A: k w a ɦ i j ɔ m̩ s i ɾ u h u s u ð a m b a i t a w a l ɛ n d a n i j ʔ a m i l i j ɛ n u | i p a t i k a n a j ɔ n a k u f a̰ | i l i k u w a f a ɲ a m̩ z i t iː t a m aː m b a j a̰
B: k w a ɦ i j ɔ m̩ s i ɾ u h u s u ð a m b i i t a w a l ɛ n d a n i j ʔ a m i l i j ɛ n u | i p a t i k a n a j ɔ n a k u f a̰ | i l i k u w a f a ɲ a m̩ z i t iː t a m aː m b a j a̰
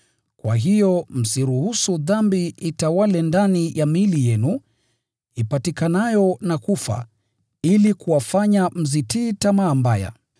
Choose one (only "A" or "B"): B